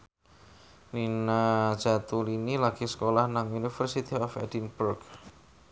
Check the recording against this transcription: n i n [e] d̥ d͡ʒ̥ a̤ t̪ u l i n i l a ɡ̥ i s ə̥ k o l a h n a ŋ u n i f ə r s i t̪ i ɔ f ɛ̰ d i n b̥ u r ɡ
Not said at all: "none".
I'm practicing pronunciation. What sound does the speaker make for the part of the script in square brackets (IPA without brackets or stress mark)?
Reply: a